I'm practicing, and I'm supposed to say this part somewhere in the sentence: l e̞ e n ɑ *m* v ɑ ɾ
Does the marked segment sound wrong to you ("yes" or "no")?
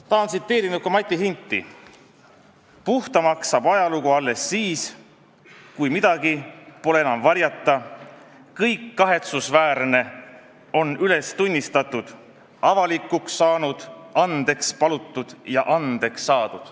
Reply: no